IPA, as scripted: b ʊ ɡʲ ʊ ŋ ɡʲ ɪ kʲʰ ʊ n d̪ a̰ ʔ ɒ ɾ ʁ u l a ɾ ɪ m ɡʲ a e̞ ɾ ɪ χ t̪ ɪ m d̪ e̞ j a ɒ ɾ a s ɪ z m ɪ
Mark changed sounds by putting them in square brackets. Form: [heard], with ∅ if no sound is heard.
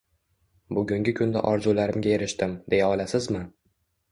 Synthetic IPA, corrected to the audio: b ʊ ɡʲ ʊ ŋ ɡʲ ɪ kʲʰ ʊ n d̪ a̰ ʔ ɒ ɾ [z] u l a ɾ ɪ m ɡʲ a e̞ ɾ ɪ [ʃ] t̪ ɪ m d̪ e̞ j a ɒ [l] a s ɪ z m ɪ